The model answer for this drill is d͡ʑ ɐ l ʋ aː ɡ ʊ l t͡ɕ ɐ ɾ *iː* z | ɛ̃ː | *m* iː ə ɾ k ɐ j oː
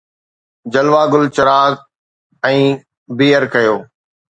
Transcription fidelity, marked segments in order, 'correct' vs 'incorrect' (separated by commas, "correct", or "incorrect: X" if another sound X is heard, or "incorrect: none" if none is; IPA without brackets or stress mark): incorrect: aː, incorrect: b